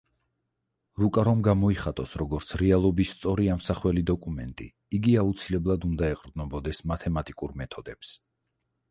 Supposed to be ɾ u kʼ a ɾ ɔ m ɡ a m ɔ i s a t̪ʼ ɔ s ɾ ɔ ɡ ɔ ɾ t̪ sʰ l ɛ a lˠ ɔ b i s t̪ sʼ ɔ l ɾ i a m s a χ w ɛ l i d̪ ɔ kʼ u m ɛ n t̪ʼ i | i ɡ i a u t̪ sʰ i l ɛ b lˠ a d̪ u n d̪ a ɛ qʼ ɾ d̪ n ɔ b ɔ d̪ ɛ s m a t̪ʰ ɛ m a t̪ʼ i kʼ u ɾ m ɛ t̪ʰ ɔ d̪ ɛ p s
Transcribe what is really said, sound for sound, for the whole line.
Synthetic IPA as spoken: ɾ u kʼ a ɾ ɔ m ɡ a m ɔ i χ a t̪ʼ ɔ s ɾ ɔ ɡ ɔ ɾ t̪ sʰ ɾ ɛ a lˠ ɔ b i s t̪ sʼ ɔ ɾ i a m s a χ w ɛ l i d̪ ɔ kʼ u m ɛ n t̪ʼ i | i ɡ i a u t̪ sʰ i l ɛ b lˠ a d̪ u n d̪ a ɛ qʼ ɾ d̪ n ɔ b ɔ d̪ ɛ s m a t̪ʰ ɛ m a t̪ʼ i kʼ u ɾ m ɛ t̪ʰ ɔ d̪ ɛ p s